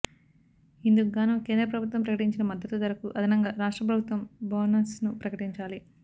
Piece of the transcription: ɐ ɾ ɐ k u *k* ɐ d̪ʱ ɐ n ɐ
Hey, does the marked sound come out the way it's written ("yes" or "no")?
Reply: no